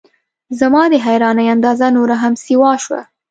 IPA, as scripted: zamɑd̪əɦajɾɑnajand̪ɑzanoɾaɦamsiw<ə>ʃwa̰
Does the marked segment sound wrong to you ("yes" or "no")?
yes